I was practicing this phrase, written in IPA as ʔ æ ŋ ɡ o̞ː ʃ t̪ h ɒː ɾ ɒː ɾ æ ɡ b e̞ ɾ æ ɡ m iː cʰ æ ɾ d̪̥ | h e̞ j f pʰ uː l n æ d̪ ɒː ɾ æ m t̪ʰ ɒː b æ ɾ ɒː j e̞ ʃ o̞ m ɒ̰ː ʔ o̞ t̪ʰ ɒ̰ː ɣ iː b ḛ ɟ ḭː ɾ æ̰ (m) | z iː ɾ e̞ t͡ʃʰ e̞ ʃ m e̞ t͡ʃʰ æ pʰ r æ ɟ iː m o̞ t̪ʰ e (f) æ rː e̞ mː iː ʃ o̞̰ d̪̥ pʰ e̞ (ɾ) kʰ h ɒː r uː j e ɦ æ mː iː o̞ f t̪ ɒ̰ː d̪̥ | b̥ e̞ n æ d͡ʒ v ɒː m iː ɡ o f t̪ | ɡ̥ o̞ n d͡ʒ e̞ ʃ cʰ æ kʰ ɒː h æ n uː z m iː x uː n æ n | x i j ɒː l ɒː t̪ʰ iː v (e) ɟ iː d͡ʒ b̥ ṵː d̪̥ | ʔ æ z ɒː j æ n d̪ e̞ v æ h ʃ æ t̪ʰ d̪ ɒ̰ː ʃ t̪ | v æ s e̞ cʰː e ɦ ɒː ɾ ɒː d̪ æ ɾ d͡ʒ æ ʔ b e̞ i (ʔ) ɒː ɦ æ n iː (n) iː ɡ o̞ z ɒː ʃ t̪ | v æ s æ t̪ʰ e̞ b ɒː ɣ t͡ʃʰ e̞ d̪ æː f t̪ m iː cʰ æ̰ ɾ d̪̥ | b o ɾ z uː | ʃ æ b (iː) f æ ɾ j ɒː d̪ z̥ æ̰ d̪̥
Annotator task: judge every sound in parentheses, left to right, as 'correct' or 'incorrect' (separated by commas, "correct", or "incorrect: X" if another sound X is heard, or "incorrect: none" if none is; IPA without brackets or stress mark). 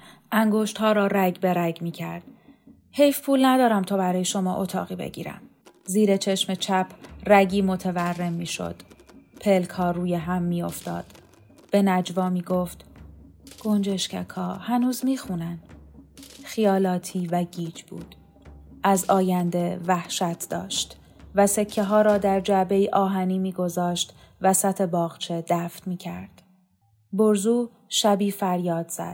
correct, incorrect: v, incorrect: l, incorrect: æ, correct, incorrect: m, correct